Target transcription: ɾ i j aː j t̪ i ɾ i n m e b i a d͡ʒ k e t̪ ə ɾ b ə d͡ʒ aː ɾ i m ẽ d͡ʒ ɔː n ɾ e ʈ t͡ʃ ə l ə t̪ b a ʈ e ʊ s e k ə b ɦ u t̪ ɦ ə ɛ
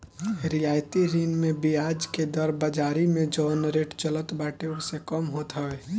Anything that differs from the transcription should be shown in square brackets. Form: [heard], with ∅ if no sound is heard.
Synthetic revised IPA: ɾ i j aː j t̪ i ɾ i n m e b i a d͡ʒ k e [d̪] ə ɾ b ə d͡ʒ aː ɾ i m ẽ d͡ʒ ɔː n ɾ e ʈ t͡ʃ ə l ə t̪ b a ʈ e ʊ s e k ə [m] ɦ [o] t̪ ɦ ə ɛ